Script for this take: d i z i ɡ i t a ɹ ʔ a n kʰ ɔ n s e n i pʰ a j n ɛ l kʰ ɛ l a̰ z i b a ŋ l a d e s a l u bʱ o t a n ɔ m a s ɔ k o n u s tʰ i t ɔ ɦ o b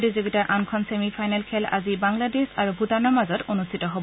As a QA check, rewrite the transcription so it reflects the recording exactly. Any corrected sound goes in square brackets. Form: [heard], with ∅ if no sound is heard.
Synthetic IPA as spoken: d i z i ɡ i t a ɹ ʔ a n kʰ ɔ n s e [m] i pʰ a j n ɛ l kʰ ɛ l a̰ z i b a ŋ l a d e s a [ɹ] u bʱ [u] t a n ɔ m a [z] ɔ [t] o n u s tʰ i t ɔ ɦ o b